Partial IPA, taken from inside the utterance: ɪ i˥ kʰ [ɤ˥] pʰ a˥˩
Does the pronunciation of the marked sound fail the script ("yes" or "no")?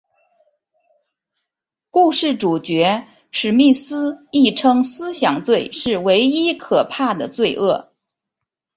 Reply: yes